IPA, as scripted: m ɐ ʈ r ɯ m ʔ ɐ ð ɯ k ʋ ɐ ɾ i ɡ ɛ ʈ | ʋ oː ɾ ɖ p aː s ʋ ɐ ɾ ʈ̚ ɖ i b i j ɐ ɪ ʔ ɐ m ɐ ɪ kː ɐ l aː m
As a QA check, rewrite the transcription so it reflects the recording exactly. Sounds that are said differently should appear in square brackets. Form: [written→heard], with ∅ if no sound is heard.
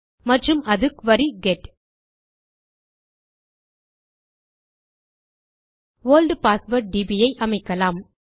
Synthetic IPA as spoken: m ɐ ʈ r ɯ m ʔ ɐ ð ɯ k ʋ ɐ ɾ i ɡ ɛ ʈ | ʋ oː [ɾ→l] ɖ p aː s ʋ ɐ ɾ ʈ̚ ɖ i b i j ɐ ɪ ʔ ɐ m ɐ ɪ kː ɐ l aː m

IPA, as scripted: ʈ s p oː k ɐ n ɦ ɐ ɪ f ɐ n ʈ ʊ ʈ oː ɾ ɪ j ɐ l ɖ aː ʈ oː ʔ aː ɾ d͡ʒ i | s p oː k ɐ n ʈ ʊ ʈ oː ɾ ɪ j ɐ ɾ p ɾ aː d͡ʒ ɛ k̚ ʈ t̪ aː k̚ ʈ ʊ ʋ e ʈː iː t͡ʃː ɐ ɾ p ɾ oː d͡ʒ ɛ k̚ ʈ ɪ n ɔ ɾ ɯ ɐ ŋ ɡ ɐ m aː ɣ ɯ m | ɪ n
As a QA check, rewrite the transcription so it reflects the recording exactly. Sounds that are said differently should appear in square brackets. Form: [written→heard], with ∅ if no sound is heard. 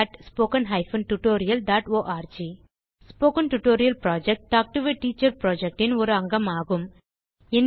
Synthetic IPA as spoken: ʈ s p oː k ɐ n ɦ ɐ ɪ f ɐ n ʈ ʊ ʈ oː ɾ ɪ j ɐ l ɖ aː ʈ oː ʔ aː ɾ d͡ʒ i | s p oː k ɐ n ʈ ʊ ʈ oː ɾ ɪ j ɐ [ɾ→l] p ɾ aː d͡ʒ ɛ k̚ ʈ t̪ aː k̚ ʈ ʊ ʋ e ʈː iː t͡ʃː ɐ ɾ p ɾ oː d͡ʒ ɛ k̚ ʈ ɪ n ɔ ɾ ɯ ɐ ŋ ɡ ɐ m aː ɣ ɯ m | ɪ n

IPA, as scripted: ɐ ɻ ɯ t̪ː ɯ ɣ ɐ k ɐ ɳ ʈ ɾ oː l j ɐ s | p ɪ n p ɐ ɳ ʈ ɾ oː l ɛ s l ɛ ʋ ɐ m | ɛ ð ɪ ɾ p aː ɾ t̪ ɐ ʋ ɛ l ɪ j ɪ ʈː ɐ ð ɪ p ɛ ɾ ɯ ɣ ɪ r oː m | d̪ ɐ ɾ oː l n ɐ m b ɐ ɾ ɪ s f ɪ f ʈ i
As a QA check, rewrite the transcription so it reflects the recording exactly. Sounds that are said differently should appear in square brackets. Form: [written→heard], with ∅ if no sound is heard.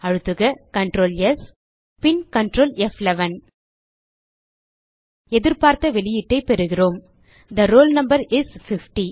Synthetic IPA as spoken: ɐ ɻ ɯ t̪ː ɯ ɣ ɐ k ɐ ɳ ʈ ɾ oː l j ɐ s | p ɪ n [p→k] ɐ ɳ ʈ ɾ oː l ɛ [s→f] l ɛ ʋ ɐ [m→n] | ɛ ð ɪ ɾ p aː ɾ t̪ ɐ ʋ ɛ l ɪ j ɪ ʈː ɐ [ð→∅] ɪ p ɛ ɾ ɯ ɣ ɪ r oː m | d̪ ɐ ɾ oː l n ɐ m b ɐ ɾ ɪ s f ɪ f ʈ i

